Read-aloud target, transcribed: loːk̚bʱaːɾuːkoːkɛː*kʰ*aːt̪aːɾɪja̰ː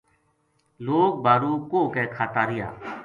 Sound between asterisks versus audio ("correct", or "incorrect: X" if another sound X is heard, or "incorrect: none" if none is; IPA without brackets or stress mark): correct